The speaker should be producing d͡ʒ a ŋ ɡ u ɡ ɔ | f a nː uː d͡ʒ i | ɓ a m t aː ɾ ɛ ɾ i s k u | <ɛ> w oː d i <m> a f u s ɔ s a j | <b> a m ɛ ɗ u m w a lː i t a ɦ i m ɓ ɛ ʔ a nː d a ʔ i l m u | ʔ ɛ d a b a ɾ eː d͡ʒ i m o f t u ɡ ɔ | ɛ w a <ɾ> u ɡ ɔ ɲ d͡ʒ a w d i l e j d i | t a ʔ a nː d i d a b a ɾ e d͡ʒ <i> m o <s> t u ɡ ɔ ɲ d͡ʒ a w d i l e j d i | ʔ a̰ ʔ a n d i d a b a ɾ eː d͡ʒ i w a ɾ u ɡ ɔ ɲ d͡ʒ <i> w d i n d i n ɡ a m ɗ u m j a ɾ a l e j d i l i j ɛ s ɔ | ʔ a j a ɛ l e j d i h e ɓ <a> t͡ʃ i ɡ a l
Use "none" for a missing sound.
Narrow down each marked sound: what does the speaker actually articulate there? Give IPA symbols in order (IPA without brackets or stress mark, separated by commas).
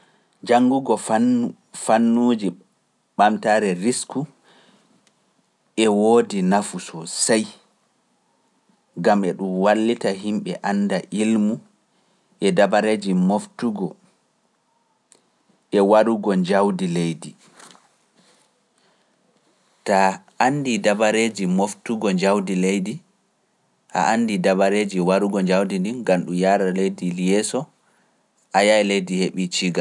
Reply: ɛ, n, ɡ, ɾ, i, f, a, i